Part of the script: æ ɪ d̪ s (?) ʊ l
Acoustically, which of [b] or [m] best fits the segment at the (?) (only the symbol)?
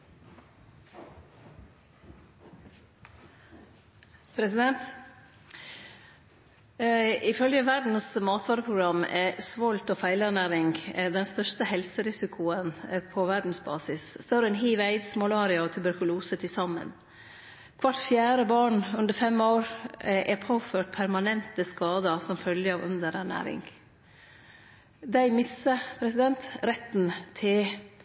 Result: m